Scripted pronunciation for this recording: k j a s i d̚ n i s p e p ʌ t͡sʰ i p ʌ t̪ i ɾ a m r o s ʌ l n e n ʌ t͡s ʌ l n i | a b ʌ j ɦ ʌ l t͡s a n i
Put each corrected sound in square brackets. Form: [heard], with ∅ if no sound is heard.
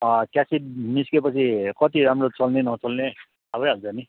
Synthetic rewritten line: k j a s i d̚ n i s [k] e p ʌ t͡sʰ i [k] ʌ t̪ i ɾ a m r o [t͡s] ʌ l n e n ʌ t͡s ʌ l n [e] | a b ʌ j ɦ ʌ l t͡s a n i

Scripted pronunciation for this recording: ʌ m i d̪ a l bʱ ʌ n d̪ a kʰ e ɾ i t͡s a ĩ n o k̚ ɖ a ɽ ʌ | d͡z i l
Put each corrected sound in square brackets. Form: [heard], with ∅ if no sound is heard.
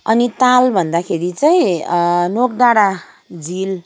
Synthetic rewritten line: ʌ [n] i [t̪] a l bʱ ʌ n d̪ a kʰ e ɾ i t͡s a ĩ n o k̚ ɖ a ɽ [a] | d͡z i l

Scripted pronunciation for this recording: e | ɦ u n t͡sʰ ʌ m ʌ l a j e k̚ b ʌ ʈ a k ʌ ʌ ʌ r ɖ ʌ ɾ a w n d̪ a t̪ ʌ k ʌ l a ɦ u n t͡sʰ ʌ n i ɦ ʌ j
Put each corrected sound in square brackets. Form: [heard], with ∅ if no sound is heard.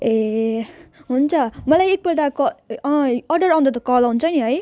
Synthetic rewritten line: e | ɦ u n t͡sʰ ʌ m ʌ l a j e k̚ b ʌ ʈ a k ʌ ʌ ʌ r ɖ ʌ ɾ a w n d̪ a t̪ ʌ k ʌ l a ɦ u n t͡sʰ ʌ n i ɦ ʌ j

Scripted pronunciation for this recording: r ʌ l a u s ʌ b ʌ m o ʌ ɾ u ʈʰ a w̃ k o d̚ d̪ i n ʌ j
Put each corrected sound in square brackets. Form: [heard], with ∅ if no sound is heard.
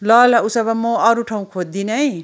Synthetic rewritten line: [l] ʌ l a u s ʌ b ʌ m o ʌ ɾ u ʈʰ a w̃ [kʰ] o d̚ d̪ i n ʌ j

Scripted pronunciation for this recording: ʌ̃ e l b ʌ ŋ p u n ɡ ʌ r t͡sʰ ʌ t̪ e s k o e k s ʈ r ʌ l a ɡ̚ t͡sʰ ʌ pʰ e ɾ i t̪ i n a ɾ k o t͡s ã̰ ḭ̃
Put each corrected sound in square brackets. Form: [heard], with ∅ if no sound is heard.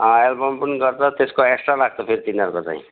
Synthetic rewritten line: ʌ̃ e l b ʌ [m] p u n ɡ ʌ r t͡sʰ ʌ t̪ e s k o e k s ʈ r [a] l a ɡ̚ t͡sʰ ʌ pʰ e ɾ i t̪ i n [ʌ] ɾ k o t͡s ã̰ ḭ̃

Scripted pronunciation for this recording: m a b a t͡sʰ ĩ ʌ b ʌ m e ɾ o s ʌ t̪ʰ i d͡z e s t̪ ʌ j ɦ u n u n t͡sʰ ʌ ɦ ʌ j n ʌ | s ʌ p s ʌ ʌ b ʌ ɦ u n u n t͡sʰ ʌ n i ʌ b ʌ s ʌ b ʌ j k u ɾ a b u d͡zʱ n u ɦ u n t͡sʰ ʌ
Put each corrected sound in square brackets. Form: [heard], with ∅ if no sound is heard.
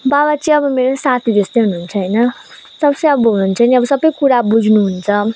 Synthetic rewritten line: [b] a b a [t͡s] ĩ ʌ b ʌ m e ɾ o s [a] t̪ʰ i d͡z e s t̪ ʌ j ɦ u n u n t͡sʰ ʌ ɦ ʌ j n ʌ | s ʌ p s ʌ ʌ b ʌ ɦ u n u n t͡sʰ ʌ n i ʌ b ʌ s ʌ b ʌ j k u ɾ a b u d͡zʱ n u ɦ u n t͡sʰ ʌ

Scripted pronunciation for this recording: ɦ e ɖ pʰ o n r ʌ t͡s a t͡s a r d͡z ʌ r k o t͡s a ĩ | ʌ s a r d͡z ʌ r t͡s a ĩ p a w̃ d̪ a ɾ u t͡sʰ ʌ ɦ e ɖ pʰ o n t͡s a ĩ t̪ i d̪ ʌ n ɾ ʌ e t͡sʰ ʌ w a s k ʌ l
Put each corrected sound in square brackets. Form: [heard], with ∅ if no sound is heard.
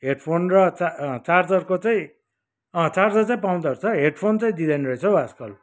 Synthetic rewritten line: ɦ e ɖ pʰ o n r ʌ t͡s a t͡s a r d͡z ʌ r k o t͡s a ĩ | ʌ [t͡s] a r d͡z ʌ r t͡s a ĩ p a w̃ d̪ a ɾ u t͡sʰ ʌ ɦ e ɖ pʰ o n t͡s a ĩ [d̪] i d̪ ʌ n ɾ ʌ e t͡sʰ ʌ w a s k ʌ l

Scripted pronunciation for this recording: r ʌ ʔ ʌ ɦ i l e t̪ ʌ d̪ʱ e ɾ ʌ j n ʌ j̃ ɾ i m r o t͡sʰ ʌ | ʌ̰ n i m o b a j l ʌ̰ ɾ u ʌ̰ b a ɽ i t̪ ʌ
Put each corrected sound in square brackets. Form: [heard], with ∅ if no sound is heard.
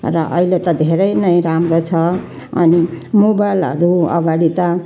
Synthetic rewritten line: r ʌ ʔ ʌ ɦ i l e t̪ ʌ d̪ʱ e ɾ ʌ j n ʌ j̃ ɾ [a] m r o t͡sʰ ʌ | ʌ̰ n i m o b a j l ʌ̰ ɾ u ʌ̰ [ɡ] a ɽ i t̪ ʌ

